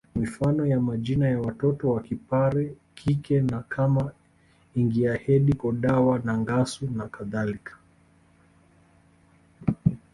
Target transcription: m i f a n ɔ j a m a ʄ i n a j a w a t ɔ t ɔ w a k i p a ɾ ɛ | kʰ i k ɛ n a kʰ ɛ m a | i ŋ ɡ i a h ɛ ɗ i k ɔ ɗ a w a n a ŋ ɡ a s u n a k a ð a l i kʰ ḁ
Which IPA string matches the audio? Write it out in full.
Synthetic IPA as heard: m i f a n ɔ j a m a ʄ i n a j a w a t ɔ t ɔ w a k i p a ɾ ɛ | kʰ i k ɛ n a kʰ a m a | i ŋ ɡ i a h ɛ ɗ i k ɔ ɗ a w a n a ŋ ɡ a s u n a k a ð a l i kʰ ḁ